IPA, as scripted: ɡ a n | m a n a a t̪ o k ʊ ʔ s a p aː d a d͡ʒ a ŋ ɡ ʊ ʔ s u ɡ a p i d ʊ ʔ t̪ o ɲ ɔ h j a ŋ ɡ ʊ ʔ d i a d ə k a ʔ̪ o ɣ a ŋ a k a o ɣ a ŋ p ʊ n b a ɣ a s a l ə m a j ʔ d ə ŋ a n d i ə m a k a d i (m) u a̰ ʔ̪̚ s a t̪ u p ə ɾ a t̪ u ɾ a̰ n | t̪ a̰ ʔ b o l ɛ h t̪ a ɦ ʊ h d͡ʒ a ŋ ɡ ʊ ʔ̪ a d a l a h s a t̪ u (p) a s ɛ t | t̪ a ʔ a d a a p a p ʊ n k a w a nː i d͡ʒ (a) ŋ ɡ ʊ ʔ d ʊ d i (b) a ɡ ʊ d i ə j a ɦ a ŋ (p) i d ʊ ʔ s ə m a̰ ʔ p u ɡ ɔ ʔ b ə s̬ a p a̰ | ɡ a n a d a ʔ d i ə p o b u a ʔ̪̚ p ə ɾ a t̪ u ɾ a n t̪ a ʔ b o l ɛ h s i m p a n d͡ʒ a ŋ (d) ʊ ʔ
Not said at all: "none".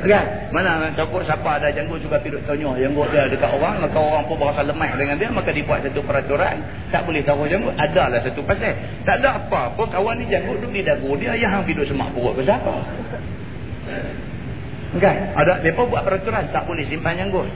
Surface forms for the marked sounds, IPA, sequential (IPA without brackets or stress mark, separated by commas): b, p, a, d, p, ɡ